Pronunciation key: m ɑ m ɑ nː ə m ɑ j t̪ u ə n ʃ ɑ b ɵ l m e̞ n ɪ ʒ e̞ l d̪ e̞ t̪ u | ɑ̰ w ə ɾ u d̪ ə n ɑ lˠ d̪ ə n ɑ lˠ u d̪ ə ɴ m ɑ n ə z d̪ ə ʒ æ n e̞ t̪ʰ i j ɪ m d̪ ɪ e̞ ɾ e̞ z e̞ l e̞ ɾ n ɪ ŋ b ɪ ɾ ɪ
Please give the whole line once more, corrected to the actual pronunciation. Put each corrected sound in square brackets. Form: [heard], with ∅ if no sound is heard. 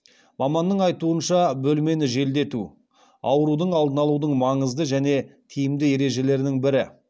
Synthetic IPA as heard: m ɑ m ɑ nː ə [ɴ] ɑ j t̪ u ə n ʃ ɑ b ɵ l m e̞ n ɪ ʒ e̞ l d̪ e̞ t̪ u | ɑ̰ w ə ɾ u d̪ ə [ɴ] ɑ lˠ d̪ ə n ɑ lˠ u d̪ ə ɴ m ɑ [ɴ] ə z d̪ ə ʒ æ n e̞ t̪ʰ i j ɪ m d̪ ɪ e̞ ɾ e̞ [ʒ] e̞ l e̞ ɾ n ɪ ŋ b ɪ ɾ ɪ